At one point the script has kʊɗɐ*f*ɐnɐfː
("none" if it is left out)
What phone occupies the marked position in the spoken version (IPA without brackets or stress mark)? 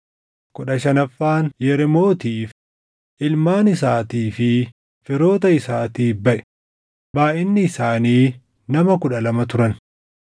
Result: ʃ